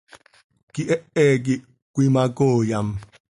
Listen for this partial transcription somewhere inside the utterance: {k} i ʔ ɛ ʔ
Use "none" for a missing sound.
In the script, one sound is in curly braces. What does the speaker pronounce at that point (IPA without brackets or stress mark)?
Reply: k